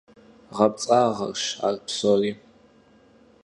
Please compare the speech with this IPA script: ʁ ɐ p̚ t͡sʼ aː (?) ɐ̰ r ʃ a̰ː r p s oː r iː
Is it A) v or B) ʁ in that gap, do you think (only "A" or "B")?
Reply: B